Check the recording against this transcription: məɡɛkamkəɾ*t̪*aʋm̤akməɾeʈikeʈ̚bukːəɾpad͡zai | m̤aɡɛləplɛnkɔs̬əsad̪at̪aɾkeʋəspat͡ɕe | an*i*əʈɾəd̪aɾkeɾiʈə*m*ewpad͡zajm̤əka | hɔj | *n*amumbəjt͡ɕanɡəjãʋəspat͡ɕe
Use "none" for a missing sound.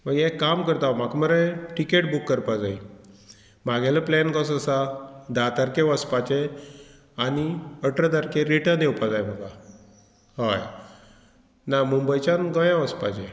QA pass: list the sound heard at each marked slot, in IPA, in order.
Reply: t̪, i, n, n

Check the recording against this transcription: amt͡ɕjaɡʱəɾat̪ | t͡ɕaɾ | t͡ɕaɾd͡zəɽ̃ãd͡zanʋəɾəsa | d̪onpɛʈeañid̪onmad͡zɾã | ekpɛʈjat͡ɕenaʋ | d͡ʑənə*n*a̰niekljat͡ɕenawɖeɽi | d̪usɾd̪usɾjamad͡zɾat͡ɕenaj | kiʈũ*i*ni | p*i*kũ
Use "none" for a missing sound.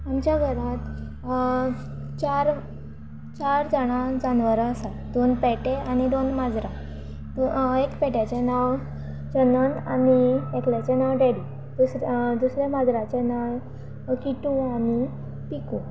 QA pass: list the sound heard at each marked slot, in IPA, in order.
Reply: n, a, i

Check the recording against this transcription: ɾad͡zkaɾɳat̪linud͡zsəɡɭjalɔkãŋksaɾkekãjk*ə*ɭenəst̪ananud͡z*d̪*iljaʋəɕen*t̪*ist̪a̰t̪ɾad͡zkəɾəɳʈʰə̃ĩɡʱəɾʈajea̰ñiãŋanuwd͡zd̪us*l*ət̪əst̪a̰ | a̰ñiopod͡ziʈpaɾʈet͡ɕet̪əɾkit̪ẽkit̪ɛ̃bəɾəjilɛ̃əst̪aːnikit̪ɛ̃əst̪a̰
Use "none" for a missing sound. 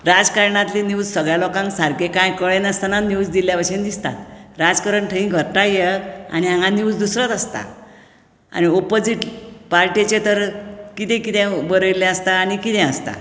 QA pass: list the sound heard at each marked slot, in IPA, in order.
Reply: ə, d̪, d̪, ɾ

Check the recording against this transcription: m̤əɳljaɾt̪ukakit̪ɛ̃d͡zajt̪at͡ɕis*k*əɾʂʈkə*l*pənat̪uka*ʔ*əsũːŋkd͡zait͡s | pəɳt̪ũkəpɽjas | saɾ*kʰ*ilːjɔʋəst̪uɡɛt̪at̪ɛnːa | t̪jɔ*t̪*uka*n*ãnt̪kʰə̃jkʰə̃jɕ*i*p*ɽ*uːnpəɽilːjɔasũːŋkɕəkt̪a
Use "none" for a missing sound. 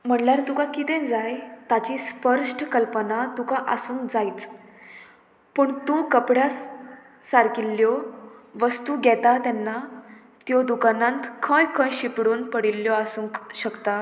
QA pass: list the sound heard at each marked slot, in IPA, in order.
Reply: p, l, ʔ, k, d̪, n, i, ɽ

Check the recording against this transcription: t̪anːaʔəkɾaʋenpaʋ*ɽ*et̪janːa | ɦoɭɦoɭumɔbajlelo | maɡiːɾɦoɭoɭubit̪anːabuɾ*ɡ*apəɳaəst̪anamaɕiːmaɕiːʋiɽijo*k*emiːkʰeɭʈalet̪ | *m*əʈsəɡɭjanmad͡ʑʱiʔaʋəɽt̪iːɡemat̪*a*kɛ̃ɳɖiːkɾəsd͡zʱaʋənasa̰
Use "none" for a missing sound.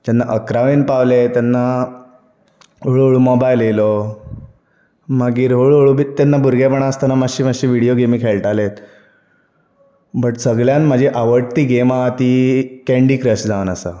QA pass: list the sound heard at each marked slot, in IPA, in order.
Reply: l, ɡ, ɡ, b, i

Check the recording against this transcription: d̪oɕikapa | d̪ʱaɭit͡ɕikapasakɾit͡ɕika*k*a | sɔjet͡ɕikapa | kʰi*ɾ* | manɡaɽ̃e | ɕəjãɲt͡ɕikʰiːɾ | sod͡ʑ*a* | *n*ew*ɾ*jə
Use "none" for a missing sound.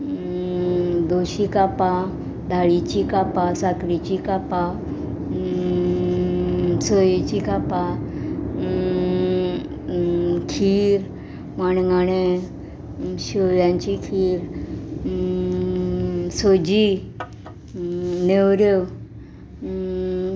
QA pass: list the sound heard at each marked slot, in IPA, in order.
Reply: p, ɾ, i, n, ɾ

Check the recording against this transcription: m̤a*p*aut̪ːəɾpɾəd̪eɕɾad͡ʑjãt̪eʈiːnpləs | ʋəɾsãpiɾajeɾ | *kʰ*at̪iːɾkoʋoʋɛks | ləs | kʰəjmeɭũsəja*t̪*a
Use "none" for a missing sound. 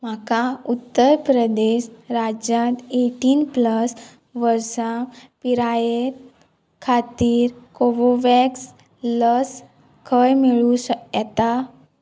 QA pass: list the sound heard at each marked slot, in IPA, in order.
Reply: k, kʰ, t̪

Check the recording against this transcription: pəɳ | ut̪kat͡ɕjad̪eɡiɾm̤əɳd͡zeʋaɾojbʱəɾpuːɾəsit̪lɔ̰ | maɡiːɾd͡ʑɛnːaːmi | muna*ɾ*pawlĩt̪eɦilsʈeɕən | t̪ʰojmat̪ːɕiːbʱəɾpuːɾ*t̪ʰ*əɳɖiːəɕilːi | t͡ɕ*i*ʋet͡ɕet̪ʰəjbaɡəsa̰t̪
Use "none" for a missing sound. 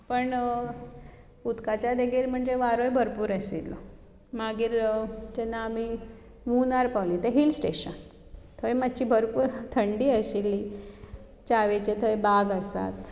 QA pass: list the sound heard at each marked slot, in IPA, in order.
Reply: ɾ, t̪ʰ, a

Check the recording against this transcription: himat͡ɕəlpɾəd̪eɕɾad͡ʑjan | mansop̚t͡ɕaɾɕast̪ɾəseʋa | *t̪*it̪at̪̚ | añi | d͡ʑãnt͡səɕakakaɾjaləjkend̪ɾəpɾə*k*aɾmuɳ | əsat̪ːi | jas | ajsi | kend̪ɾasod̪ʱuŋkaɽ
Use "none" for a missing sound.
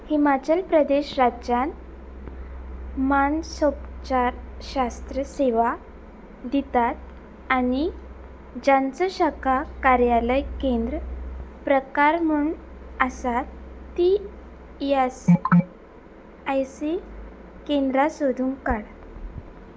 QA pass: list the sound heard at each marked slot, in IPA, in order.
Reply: d̪, k

